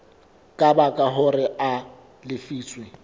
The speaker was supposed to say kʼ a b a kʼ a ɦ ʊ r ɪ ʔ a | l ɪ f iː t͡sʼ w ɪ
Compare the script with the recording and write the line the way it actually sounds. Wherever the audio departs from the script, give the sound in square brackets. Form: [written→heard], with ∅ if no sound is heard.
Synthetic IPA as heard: kʼ a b a kʼ a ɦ ʊ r ɪ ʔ a | l ɪ f iː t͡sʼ w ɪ